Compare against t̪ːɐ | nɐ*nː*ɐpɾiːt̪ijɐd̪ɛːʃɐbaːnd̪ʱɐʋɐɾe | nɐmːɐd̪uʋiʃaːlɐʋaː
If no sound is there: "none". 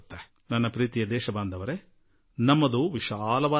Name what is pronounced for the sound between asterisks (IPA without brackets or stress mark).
nː